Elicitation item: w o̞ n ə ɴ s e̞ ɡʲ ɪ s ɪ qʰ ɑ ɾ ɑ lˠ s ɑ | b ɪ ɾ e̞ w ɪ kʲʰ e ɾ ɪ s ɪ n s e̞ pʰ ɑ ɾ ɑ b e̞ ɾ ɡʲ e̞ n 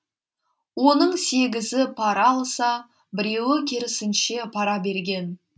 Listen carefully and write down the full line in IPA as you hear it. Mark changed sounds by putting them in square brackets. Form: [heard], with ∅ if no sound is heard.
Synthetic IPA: w o̞ n ə ɴ s e̞ ɡʲ ɪ [z] ɪ [pʰ] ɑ ɾ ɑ lˠ s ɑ | b ɪ ɾ e̞ w ɪ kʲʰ e ɾ ɪ s ɪ n [ʃ] e̞ pʰ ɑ ɾ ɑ b e̞ ɾ ɡʲ e̞ n